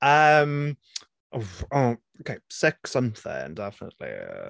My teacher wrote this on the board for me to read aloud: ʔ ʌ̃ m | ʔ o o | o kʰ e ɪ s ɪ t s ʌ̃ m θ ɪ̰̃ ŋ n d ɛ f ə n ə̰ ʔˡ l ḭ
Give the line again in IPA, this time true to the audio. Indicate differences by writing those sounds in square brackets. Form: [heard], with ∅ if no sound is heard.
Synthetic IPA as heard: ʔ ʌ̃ m | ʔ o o | o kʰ e ɪ s ɪ [k] s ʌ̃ m θ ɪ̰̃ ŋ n d ɛ f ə n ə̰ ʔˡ l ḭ